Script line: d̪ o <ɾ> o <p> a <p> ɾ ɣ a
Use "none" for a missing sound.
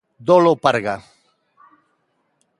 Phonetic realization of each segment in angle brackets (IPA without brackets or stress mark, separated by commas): l, p, none